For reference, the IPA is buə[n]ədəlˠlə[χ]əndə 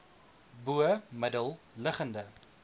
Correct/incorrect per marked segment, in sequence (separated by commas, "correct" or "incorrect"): incorrect, correct